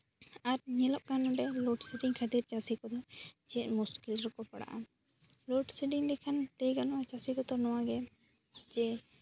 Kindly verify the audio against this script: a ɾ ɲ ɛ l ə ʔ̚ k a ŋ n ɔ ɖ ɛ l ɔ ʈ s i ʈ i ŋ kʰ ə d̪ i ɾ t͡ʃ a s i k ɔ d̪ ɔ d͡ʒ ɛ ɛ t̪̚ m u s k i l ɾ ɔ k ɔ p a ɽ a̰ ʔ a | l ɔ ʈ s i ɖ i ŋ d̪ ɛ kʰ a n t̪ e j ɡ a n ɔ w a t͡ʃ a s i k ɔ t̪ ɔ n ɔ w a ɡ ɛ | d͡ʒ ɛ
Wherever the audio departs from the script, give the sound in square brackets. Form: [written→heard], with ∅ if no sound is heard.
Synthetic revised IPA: a ɾ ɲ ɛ l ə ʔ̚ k a [ŋ→∅] n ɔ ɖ ɛ l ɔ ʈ s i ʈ i ŋ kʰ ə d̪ i ɾ t͡ʃ a s i k ɔ d̪ ɔ d͡ʒ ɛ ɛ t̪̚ m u s k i l ɾ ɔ k ɔ p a ɽ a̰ ʔ a | l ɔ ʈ s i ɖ i ŋ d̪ ɛ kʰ a n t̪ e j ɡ a n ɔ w a t͡ʃ a s i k ɔ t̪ ɔ n ɔ w a ɡ ɛ | d͡ʒ ɛ